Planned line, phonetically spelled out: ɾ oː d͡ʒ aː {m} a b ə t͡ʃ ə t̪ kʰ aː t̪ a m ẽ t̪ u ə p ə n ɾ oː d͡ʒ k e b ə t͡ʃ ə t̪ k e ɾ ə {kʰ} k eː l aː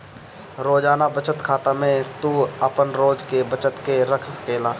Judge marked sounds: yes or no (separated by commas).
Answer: no, yes